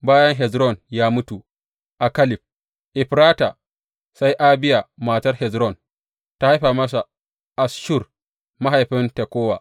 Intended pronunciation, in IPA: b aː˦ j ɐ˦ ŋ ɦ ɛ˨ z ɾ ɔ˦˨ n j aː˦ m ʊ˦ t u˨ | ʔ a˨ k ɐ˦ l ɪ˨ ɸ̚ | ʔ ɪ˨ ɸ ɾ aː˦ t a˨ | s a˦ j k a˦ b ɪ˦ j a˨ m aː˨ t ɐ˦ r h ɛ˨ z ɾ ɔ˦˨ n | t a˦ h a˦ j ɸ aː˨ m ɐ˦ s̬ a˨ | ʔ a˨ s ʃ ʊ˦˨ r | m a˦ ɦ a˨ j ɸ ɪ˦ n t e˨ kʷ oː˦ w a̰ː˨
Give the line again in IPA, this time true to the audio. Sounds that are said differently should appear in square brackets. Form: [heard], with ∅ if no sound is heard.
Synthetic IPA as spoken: b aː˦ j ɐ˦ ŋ ɦ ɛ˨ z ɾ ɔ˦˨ n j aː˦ m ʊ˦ t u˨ | ʔ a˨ k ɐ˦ l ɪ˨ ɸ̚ | ʔ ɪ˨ ɸ ɾ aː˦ t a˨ | s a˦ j [ʔ] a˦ b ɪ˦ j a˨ m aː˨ t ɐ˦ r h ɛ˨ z ɾ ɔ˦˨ n | t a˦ h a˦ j ɸ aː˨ m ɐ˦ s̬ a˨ | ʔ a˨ s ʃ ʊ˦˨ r | m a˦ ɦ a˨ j ɸ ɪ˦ n t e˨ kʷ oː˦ w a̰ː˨